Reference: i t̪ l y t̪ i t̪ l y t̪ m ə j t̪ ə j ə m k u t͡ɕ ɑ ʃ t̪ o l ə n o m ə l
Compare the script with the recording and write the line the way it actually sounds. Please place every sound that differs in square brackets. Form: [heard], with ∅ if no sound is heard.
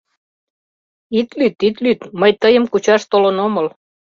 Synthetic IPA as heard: i t̪ l y t̪ i t̪ l y t̪ m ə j t̪ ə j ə m k u t͡ɕ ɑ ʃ t̪ o l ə n o m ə l